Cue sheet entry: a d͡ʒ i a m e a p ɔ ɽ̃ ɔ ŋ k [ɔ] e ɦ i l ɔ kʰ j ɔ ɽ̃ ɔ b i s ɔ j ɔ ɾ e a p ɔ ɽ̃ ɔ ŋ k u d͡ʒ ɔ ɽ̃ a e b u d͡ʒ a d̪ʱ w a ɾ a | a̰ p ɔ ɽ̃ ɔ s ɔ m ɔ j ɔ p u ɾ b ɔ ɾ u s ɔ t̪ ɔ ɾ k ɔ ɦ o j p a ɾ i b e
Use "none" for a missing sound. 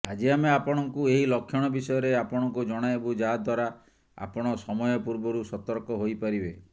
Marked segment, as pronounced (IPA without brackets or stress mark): u